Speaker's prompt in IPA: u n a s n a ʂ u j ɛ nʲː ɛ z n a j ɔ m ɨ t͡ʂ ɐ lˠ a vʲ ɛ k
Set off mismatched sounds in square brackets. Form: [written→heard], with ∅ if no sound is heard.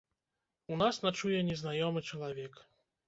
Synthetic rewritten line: u n a s n a [ʂ→t͡ʂ] u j ɛ [nʲː→nʲ] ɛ z n a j ɔ m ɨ t͡ʂ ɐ lˠ a vʲ ɛ k